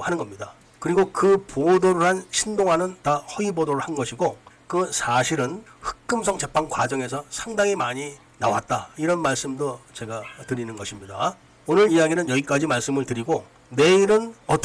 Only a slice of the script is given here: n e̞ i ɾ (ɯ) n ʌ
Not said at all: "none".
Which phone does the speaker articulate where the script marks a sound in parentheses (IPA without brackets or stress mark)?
ɯ